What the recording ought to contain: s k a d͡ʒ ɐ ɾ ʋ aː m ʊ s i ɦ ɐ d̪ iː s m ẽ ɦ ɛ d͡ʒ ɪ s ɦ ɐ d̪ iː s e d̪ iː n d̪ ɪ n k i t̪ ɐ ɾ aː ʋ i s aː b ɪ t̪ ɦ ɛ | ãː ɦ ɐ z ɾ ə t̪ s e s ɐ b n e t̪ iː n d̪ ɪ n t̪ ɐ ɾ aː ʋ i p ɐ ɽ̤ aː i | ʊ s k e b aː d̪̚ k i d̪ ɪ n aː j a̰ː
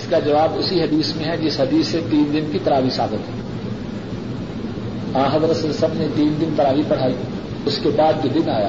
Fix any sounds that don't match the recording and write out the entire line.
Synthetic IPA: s k a d͡ʒ ɐ ʋ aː b ʊ s i ɦ ɐ d̪ iː s m ẽ ɦ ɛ d͡ʒ ɪ s ɦ ɐ d̪ iː s e t̪ iː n d̪ ɪ n k i t̪ ɐ ɾ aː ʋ i s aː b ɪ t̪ ɦ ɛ | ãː ɦ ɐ z ɾ ə t̪ s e s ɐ b n e t̪ iː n d̪ ɪ n t̪ ɐ ɾ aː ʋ i p ɐ ɽ̤ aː i | ʊ s k e b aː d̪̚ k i d̪ ɪ n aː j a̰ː